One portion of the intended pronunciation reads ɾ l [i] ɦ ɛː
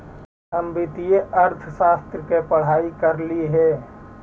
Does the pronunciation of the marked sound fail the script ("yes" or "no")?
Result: no